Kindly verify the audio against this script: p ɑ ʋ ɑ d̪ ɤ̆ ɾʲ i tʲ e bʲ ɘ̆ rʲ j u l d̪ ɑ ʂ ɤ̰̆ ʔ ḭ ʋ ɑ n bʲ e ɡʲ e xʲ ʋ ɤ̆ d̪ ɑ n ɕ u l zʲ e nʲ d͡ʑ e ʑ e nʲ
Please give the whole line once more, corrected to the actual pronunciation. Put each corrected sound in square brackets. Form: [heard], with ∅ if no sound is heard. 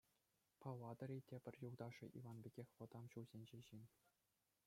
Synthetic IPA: p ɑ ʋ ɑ d̪ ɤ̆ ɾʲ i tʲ e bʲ ɘ̆ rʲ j u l d̪ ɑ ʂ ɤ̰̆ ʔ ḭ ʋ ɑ n bʲ e ɡʲ e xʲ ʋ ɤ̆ d̪ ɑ [m] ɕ u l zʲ e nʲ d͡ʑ e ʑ [i] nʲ